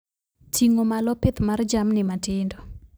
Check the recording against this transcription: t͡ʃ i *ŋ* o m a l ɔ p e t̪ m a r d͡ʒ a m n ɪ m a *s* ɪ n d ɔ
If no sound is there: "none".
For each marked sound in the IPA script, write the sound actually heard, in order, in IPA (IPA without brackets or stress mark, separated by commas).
ŋ, t